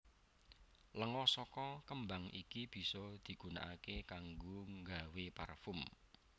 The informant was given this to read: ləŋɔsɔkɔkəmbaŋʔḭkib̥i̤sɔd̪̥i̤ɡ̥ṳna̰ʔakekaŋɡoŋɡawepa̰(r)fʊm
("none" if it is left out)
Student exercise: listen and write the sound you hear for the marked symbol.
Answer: r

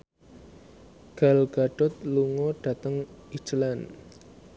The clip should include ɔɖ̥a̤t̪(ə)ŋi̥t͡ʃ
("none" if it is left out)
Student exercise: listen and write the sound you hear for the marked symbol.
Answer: ə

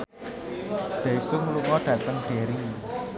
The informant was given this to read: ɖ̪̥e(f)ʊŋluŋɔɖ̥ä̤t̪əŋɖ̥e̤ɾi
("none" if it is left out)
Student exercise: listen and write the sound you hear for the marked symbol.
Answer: s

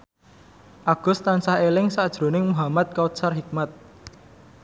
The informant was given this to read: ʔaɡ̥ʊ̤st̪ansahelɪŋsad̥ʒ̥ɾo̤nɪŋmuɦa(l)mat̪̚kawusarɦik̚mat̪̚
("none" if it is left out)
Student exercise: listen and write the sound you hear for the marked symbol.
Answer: none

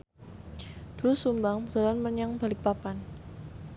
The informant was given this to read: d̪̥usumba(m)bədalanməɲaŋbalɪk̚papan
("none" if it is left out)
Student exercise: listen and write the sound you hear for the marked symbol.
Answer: ŋ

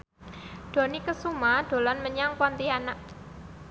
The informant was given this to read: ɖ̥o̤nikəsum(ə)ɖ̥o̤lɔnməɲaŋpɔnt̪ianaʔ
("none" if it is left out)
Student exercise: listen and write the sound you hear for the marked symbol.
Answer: a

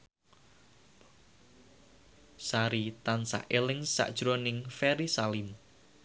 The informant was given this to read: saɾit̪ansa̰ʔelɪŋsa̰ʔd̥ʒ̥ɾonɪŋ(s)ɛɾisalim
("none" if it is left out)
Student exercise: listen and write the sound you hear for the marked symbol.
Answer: f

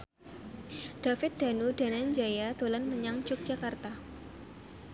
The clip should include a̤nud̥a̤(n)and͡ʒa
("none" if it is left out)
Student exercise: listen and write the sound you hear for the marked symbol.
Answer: n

